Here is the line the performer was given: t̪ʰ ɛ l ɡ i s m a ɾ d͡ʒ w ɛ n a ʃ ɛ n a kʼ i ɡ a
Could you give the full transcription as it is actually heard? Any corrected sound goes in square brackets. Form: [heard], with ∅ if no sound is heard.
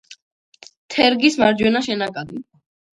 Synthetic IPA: t̪ʰ ɛ [ɾ] ɡ i s m a ɾ d͡ʒ w ɛ n a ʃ ɛ n a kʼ [a] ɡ [i]